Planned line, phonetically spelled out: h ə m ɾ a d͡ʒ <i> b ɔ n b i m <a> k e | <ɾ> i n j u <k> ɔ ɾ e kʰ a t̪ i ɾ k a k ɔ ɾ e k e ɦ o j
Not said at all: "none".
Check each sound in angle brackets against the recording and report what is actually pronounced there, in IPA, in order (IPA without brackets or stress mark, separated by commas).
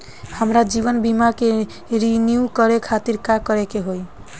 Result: i, a, ɾ, k